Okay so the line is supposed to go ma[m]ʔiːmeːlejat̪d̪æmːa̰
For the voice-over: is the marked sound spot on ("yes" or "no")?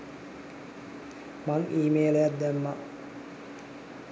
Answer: no